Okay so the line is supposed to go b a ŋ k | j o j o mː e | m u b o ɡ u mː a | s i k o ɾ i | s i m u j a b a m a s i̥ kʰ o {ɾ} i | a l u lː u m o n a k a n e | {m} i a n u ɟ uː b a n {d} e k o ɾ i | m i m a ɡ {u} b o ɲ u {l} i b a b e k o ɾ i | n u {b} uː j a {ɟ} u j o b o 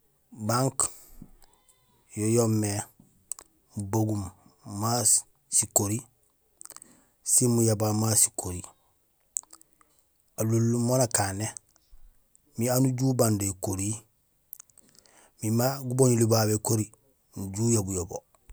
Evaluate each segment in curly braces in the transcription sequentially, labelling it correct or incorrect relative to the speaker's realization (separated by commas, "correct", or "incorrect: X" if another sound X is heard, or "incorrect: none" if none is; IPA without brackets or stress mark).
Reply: correct, correct, correct, correct, correct, incorrect: ɟ, incorrect: b